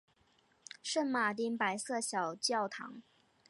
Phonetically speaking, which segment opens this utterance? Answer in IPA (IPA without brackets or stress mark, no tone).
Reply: ʂ